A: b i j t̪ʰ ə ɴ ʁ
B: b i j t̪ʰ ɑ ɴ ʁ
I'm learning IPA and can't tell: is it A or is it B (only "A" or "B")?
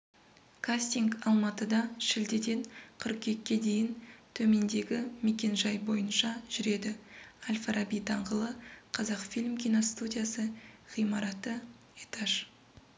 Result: B